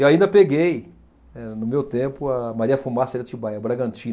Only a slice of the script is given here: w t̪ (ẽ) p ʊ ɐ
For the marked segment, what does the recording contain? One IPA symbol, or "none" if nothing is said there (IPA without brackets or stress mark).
ẽ